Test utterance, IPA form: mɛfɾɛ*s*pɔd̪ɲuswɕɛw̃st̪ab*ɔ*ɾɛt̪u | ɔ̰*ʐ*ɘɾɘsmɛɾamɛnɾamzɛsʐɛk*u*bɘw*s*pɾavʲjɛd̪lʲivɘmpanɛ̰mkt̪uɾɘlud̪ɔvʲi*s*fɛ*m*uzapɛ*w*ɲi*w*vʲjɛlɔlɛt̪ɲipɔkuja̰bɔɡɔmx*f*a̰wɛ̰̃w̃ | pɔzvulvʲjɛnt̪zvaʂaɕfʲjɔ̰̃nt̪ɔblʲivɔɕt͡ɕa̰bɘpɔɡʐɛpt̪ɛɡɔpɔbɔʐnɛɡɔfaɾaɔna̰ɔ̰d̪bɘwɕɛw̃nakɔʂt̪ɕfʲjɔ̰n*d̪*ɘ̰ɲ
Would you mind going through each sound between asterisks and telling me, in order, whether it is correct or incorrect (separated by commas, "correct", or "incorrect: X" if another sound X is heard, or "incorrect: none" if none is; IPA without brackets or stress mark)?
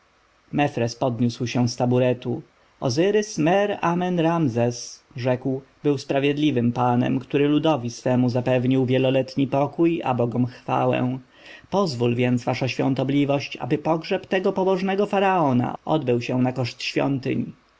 correct, incorrect: u, incorrect: z, incorrect: w, correct, correct, correct, incorrect: v, correct, correct, incorrect: t̪